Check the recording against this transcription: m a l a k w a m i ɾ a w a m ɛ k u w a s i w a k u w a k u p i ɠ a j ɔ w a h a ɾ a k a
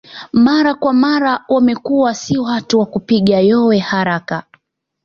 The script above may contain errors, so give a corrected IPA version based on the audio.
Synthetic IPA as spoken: m a ɾ a k w a m a ɾ a w a m ɛ k u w a s i w a t u w a k u p i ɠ a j ɔ w ɛ h a ɾ a k a